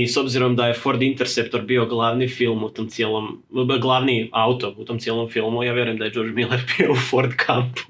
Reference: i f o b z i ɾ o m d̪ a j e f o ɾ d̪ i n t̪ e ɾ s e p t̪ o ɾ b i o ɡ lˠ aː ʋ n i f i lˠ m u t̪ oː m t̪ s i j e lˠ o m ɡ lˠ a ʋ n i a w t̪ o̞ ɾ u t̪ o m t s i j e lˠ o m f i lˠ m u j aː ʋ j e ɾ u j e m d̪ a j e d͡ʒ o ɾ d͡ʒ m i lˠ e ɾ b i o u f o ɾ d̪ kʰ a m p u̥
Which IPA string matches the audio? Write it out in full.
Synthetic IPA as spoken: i s o b z i ɾ o m d̪ a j e f o ɾ d̪ i n t̪ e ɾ s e p t̪ o ɾ b i o ɡ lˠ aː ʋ n i f i lˠ m u t̪ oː m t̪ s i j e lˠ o m ɡ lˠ a ʋ n i a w t̪ o̞ ɾ u t̪ o m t s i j e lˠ o m f i lˠ m u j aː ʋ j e ɾ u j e m d̪ a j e d͡ʒ o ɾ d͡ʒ m i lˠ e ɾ b i o u f o ɾ d̪ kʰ a m p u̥